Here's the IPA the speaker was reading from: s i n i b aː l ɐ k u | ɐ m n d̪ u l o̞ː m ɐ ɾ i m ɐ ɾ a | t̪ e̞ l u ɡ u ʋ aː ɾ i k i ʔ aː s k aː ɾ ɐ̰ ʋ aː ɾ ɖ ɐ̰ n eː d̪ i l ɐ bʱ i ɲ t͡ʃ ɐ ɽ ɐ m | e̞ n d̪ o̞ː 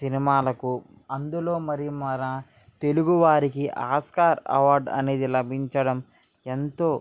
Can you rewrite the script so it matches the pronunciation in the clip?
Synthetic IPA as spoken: s i n i m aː l ɐ k u | ɐ n d̪ u l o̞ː m ɐ ɾ i m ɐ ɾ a | t̪ e̞ l u ɡ u ʋ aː ɾ i k i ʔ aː s k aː ɾ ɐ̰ ʋ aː ɾ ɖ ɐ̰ n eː d̪ i l ɐ bʱ i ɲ t͡ʃ ɐ ɽ ɐ m | e̞ n t̪ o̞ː